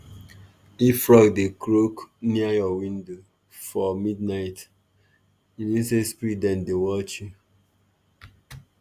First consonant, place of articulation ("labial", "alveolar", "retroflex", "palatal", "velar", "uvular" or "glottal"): labial